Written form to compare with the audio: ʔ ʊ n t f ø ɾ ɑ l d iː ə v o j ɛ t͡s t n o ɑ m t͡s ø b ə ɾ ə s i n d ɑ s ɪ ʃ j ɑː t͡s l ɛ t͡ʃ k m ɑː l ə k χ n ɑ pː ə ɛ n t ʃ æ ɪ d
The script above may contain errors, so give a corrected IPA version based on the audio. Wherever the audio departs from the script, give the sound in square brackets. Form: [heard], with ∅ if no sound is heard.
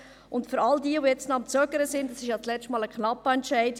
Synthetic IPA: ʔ ʊ n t f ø ɾ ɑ l d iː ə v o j ɛ t͡s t n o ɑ m t͡s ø [ɡ] ə ɾ ə s [ɪ] n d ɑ s ɪ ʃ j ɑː t͡s l ɛ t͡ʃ [t] m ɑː l ə k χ n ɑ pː ə ɛ n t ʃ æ ɪ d

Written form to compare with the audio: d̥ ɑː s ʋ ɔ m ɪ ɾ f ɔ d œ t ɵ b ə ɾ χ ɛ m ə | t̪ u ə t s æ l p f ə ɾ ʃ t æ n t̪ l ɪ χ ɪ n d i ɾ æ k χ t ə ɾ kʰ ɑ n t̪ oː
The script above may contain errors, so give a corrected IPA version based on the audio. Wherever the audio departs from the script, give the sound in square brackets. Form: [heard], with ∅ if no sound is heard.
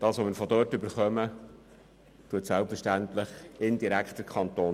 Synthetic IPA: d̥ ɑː s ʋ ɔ m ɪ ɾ f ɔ d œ t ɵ b ə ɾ χ [œ] m ə | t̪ u ə t s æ l p f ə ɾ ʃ t æ n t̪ l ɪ χ ɪ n d i ɾ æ k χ t ə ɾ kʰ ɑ n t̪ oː

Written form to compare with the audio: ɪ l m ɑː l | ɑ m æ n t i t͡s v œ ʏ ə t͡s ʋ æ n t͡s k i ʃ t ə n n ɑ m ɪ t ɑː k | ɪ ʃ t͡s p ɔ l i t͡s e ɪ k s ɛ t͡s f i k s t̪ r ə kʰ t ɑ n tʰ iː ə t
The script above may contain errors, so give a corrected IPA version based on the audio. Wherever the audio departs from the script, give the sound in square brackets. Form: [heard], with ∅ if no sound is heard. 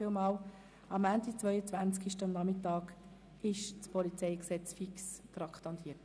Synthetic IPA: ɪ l m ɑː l | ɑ m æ n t i t͡s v œ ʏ ə t͡s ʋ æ n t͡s k i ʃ t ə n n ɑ m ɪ t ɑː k | ɪ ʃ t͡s p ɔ l i t͡s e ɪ k s ɛ t͡s f i k s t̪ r [ɑ] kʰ t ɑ n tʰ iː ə t

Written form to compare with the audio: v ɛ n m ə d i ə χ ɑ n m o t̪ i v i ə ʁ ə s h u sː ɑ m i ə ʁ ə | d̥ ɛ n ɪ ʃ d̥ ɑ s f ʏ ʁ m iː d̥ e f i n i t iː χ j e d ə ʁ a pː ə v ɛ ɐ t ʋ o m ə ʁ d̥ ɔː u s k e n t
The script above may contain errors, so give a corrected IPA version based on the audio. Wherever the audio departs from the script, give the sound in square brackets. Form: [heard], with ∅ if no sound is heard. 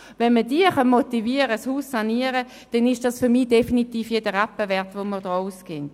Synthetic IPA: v ɛ n m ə d i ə χ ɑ n m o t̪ i v i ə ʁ ə s h [uː] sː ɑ [n] i ə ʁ ə | d̥ ɛ n ɪ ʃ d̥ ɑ s f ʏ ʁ m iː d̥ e f i n i t iː [f] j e d ə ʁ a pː ə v ɛ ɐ t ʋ o m ə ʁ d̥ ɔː u s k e n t

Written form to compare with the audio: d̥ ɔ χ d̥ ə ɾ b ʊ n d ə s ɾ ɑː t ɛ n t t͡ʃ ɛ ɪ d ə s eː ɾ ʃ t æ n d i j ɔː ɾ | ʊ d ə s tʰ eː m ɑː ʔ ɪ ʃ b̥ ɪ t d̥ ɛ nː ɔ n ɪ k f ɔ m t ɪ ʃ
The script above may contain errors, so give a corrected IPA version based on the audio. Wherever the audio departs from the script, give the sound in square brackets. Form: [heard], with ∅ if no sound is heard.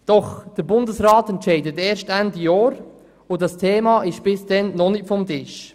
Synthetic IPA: d̥ ɔ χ d̥ ə ɾ b ʊ n d ə s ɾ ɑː t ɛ n t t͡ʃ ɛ ɪ d ə [t] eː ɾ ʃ t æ n d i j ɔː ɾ | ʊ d [ɑ] s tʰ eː m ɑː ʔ ɪ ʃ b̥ ɪ [s] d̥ ɛ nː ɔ n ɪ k f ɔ m t ɪ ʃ

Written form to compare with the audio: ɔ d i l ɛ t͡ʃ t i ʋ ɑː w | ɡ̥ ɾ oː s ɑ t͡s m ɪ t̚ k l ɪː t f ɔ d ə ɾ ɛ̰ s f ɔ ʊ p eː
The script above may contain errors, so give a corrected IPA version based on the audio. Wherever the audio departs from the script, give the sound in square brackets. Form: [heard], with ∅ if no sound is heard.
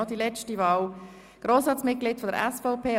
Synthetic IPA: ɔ d i l ɛ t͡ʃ t i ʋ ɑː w | ɡ̥ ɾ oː s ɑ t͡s m ɪ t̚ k l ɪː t f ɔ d ə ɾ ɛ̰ s f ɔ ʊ p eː

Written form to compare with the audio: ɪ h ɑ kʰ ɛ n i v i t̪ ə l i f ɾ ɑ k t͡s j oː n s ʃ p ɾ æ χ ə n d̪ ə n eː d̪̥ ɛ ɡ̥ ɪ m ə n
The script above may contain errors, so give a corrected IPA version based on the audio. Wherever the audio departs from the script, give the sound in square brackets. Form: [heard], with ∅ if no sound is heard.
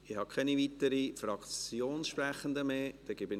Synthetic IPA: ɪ h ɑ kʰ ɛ n i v i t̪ ə [ɾ] i f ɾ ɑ k t͡s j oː n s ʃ p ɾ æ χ ə n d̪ ə [m] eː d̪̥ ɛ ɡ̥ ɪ [b] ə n

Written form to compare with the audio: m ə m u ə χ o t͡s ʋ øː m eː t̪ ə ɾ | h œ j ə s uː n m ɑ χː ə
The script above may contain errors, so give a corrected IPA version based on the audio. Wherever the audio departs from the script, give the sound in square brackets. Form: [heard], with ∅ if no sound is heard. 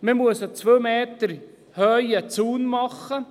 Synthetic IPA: m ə m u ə [s] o t͡s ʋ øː m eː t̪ ə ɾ | h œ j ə [t͡s] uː n m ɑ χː ə

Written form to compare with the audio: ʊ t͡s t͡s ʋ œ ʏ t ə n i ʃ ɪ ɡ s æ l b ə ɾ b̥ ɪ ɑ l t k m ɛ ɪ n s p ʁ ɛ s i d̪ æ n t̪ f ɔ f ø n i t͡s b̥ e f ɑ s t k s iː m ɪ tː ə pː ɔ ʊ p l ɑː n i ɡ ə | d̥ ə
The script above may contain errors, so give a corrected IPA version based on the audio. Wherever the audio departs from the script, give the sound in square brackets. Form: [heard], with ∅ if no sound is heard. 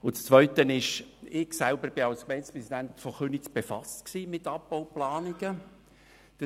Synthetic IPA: ʊ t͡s t͡s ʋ œ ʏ t ə n [ɪ] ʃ ɪ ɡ s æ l b ə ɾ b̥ ɪ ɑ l [s] k m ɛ ɪ n s p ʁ ɛ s i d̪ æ n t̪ f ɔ [χ] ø n i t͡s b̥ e f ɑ s t k s iː m ɪ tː [ɑ] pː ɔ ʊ p l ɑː n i ɡ ə | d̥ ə

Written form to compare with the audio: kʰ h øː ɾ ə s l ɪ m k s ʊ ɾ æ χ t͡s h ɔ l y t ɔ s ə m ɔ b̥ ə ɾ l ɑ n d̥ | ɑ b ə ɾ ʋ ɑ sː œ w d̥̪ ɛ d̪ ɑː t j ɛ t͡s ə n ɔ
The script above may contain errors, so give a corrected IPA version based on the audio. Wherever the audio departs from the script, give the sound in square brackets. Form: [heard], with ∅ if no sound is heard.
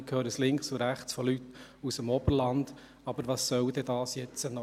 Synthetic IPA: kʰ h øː ɾ ə s l ɪ [ŋ] k s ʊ ɾ æ χ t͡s [f] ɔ l y t [u] s ə m ɔ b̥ ə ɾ l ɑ n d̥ | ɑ b ə ɾ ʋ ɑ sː œ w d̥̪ ɛ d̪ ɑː [s] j ɛ t͡s ə n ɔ

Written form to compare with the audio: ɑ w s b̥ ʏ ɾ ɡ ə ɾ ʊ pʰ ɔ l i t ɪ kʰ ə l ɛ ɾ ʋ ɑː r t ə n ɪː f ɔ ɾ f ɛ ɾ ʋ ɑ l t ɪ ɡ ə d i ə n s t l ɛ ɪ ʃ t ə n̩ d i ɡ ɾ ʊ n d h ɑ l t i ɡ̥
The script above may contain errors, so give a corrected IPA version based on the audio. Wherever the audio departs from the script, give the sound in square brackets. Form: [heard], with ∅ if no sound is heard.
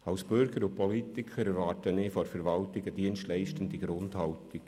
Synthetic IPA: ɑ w s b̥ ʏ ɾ ɡ ə ɾ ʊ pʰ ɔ l i t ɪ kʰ ə [ɾ] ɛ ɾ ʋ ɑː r t ə n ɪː f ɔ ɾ f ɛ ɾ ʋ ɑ l t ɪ ɡ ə d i ə n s t l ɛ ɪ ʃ t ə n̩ d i ɡ ɾ ʊ n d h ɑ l t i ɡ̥

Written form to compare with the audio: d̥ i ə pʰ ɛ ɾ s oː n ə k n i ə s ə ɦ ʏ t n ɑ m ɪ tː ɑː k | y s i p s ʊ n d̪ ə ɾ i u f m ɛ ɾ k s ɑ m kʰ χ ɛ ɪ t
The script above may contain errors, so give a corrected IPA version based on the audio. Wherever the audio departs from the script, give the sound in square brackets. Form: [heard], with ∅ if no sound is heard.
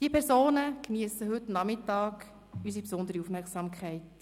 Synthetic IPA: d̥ i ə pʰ ɛ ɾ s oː n ə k n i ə s ə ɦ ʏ t n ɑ m ɪ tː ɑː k | y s i p s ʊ n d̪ ə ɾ i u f m ɛ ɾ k s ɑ m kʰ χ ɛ ɪ t

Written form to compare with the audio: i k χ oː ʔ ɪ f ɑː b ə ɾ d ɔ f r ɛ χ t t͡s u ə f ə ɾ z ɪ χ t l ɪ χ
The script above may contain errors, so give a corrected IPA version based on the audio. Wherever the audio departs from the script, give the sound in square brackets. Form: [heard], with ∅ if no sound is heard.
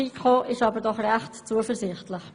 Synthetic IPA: i k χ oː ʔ ɪ [ʃ] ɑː b ə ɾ d ɔ [χ] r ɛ χ t t͡s u ə f ə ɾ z ɪ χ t l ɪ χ

